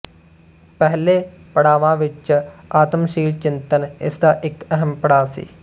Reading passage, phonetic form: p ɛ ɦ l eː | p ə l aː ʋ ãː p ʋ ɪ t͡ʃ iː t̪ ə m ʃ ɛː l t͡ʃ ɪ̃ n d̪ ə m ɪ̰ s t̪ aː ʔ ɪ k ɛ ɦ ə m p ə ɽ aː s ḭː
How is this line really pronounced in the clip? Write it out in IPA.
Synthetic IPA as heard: p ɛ ɦ l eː | p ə ɽ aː ʋ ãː ʋ ɪ t͡ʃ aː t̪ ə m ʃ iː l t͡ʃ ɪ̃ n t̪ ə n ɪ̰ s d̪ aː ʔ ɪ k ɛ ɦ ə m p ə ɽ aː s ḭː